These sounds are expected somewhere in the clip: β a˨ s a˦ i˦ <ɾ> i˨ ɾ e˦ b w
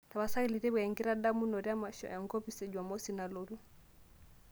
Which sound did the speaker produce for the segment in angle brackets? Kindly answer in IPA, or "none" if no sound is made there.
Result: l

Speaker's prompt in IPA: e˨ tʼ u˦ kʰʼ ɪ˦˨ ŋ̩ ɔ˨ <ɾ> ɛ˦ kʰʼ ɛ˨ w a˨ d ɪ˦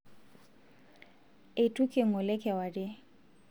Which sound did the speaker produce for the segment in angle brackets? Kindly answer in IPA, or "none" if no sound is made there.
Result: l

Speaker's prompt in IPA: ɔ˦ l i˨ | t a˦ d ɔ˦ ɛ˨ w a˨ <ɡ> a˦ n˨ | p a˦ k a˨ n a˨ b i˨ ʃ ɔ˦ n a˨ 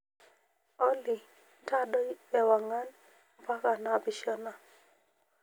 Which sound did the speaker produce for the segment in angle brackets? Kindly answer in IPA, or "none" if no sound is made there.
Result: ŋ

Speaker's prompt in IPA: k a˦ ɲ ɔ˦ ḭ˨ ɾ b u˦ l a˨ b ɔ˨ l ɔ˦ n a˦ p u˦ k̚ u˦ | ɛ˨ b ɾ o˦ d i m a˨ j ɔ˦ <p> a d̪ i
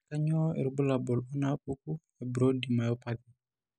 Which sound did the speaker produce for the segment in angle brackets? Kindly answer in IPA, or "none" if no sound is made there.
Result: p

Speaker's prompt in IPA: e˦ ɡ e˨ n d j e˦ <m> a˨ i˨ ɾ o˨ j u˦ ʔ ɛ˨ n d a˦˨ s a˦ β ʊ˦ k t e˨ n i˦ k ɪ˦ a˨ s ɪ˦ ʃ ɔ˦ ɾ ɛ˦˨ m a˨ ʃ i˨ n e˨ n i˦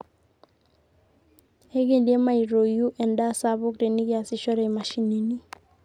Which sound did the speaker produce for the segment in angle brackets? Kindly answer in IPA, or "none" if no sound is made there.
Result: m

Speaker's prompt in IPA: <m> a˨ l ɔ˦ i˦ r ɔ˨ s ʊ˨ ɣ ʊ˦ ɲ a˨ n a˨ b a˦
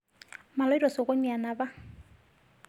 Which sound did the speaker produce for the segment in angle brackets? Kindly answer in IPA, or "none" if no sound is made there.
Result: m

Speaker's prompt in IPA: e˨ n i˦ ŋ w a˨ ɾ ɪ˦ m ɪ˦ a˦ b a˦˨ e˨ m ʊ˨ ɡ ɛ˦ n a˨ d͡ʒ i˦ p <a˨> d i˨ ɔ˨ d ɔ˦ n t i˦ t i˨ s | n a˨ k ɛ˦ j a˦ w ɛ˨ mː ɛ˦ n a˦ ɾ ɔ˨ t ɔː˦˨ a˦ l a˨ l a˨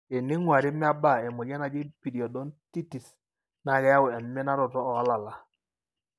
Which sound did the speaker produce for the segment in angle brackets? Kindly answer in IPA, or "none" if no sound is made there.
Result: i˨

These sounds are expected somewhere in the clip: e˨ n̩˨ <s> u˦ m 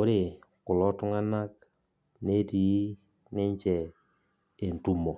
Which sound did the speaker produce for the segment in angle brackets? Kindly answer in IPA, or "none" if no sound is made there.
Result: t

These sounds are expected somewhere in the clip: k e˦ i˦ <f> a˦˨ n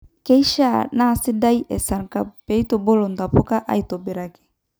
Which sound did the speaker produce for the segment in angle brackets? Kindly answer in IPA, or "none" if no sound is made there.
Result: ʃ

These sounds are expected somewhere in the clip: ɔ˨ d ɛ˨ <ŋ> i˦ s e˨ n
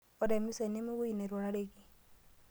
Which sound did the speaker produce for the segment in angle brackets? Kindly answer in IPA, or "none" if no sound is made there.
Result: m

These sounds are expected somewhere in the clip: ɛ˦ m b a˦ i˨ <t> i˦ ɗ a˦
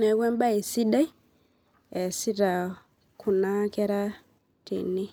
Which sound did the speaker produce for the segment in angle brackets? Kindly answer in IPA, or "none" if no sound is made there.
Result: s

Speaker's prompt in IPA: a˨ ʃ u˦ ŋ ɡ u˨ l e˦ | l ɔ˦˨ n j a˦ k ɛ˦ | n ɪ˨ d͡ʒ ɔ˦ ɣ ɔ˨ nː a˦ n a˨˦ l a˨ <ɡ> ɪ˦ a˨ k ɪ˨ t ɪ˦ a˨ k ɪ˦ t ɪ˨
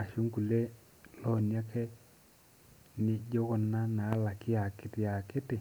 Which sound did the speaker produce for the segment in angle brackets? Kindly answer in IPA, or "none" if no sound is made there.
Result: k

